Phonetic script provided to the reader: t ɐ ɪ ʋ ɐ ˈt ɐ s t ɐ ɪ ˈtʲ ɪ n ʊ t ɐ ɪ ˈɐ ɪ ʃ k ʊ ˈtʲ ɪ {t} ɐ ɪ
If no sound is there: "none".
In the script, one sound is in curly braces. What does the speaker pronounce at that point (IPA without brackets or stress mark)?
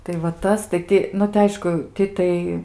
t